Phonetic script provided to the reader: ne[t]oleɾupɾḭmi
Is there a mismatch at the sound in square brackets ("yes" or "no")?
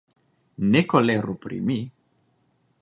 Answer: yes